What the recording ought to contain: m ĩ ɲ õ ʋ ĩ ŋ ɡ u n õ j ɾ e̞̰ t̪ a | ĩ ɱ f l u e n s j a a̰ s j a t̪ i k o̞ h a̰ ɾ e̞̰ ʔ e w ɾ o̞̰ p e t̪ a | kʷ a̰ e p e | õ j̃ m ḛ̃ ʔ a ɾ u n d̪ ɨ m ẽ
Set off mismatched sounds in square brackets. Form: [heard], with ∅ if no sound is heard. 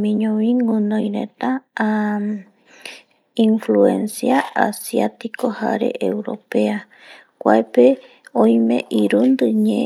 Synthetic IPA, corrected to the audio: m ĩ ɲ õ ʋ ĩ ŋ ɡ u n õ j ɾ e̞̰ t̪ a | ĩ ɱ f l u e n s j a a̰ s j a t̪ i k o̞ h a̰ ɾ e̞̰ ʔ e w ɾ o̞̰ p e [∅] a | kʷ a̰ e p e | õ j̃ m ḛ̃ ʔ [i] ɾ u n d̪ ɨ [ɲ] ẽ